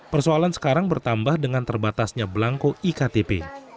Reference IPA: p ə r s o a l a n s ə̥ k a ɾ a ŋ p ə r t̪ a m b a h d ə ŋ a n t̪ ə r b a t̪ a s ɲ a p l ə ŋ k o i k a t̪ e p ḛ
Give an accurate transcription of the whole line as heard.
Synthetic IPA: p ə r s o a l a n s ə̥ k a ɾ a ŋ b ə r t̪ a m b a h d ə ŋ a n t̪ ə r b a t̪ a s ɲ a b l a ŋ k o i k a t̪ e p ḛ